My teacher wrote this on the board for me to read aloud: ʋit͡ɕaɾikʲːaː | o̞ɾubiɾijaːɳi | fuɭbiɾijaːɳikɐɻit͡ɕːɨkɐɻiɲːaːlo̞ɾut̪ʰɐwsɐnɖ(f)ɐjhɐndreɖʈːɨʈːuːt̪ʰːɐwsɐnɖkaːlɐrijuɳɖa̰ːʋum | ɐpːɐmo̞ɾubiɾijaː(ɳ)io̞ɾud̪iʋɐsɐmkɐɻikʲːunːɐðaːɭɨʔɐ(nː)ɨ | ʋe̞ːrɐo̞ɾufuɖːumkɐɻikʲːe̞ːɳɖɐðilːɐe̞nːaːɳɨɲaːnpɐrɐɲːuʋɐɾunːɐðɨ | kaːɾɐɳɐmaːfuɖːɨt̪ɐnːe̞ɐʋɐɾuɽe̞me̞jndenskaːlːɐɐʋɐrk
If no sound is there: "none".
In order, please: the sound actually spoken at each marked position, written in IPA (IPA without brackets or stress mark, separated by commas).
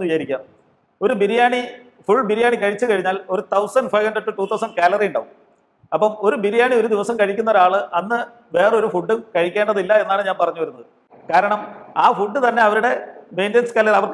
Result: f, ɳ, nː